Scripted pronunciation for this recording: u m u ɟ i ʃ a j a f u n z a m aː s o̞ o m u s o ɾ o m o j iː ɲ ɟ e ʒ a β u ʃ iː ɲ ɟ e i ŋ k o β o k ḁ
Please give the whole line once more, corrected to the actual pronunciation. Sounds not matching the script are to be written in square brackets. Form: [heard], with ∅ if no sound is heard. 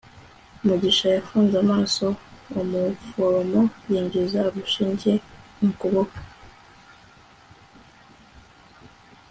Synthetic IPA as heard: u m u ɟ i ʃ a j a f [uː] n z a m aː s o̞ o m u [f] o ɾ o m o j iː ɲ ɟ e [z] a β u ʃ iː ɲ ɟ e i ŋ k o β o k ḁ